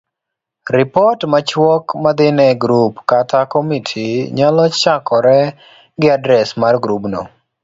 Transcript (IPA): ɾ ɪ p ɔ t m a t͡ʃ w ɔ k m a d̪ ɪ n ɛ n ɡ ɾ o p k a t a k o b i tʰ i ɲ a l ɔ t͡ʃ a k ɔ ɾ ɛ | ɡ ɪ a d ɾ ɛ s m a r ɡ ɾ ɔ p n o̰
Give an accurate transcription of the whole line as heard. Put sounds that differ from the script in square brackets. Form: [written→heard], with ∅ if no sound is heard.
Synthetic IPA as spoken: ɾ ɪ p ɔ t m a t͡ʃ w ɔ k m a d̪ ɪ n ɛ [n→∅] ɡ ɾ [o→u] p k a t a k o [b→m] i tʰ i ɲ a l ɔ t͡ʃ a k ɔ ɾ ɛ | ɡ ɪ a d ɾ ɛ s m a r ɡ ɾ [ɔ→u] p n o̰